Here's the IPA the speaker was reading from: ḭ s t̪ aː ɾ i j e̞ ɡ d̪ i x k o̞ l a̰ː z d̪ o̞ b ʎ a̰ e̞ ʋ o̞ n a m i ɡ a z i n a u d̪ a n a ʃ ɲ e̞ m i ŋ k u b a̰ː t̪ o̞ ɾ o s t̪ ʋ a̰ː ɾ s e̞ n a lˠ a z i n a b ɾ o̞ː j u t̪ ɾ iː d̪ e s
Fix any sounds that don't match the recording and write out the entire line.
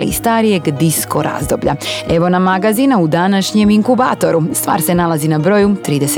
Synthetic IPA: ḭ s t̪ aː ɾ i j e̞ ɡ d̪ i s k o̞ ɾ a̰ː z d̪ o̞ b ʎ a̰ e̞ ʋ o̞ n a m a ɡ a z i n a u d̪ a n a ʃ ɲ e̞ m i ŋ k u b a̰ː t̪ o̞ ɾ u s t̪ ʋ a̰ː ɾ s e̞ n a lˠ a z i n a b ɾ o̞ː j u t̪ ɾ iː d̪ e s